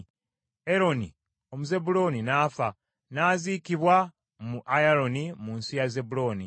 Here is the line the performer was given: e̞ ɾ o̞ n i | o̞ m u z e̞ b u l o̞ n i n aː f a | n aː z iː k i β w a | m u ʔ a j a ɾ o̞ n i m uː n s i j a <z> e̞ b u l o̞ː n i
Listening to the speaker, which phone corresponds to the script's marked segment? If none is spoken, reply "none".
z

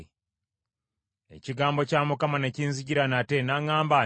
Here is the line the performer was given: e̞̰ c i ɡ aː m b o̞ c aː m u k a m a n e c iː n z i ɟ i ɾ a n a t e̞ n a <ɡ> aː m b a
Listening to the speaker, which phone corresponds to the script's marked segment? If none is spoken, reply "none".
ŋ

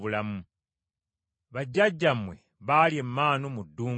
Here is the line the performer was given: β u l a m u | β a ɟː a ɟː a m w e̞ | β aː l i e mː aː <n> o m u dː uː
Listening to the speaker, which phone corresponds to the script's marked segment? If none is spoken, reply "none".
n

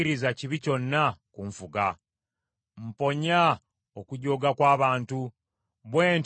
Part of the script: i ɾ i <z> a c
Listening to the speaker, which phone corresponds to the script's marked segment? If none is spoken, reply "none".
z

